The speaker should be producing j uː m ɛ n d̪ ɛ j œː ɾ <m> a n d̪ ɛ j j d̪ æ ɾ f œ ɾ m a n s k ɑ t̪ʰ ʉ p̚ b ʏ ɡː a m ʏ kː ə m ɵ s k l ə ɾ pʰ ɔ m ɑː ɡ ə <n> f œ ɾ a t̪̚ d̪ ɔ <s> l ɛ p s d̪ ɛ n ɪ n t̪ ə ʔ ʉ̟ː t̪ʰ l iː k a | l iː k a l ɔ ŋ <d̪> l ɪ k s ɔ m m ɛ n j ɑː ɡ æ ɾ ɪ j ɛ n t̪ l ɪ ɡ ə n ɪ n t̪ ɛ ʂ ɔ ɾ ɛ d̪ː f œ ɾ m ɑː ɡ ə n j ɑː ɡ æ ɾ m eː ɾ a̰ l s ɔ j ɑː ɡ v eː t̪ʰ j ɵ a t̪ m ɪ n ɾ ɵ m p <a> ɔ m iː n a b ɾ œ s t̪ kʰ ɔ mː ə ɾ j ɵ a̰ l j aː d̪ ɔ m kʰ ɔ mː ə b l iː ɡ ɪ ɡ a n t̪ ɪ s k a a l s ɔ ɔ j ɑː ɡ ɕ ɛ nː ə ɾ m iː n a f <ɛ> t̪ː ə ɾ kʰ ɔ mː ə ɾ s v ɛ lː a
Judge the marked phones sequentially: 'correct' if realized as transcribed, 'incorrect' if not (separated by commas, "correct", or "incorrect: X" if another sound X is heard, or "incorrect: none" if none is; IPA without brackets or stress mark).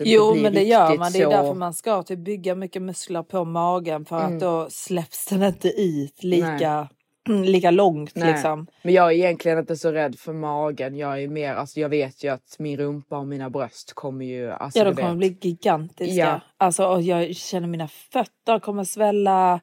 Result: correct, correct, correct, incorrect: t̪, correct, incorrect: œ